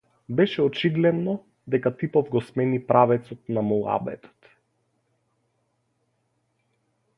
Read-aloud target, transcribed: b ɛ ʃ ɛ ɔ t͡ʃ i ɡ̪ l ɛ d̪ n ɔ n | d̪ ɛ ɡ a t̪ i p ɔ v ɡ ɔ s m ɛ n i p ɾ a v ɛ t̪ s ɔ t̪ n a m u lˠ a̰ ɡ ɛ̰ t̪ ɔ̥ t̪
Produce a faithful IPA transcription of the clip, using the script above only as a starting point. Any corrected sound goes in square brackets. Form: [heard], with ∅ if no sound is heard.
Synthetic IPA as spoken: b ɛ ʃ ɛ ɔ t͡ʃ i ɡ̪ l ɛ d̪ n ɔ [∅] | d̪ ɛ [k] a t̪ i p ɔ v ɡ ɔ s m ɛ n i p ɾ a v ɛ t̪ s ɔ t̪ n a m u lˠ a̰ [b] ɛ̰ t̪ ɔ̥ t̪